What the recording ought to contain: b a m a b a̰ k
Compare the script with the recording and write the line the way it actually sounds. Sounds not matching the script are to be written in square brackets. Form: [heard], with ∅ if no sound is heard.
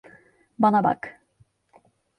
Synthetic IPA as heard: b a [n] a b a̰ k